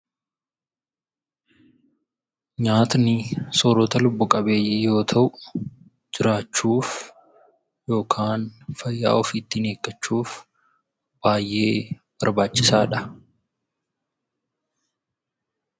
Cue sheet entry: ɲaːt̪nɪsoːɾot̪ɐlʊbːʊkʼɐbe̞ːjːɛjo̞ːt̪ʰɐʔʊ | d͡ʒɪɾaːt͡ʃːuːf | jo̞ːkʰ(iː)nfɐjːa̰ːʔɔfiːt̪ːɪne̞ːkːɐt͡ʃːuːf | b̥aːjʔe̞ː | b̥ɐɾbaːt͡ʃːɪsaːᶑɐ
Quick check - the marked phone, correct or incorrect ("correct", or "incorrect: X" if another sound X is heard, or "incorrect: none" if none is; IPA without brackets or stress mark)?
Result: incorrect: aː